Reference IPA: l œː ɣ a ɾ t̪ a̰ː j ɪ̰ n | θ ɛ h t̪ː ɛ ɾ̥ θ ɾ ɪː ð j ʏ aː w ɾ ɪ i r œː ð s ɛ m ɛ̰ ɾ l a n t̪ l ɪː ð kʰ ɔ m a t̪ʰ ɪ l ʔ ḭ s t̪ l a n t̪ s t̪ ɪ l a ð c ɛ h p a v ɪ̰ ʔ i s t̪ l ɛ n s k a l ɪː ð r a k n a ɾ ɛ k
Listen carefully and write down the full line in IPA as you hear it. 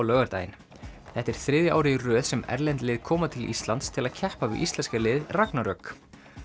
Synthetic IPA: l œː ɣ a ɾ t̪ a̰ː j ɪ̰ n | θ ɛ h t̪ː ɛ ɾ̥ θ ɾ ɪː ð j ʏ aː w ɾ ɪ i r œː ð s ɛ m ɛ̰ ɾ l ɛ n t̪ l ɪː ð kʰ ɔː m a t̪ʰ ɪ l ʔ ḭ s t̪ l a n t̪ s t̪ʰ ɪ l a ð cʰ ɛ h p a v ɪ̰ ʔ i s t̪ l ɛ n s k a l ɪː ð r a k n a ɾ œ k